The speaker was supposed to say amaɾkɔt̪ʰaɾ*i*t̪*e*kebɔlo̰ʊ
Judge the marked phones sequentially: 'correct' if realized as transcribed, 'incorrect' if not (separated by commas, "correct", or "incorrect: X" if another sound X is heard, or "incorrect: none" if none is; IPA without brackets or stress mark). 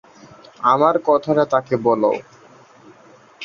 incorrect: a, incorrect: a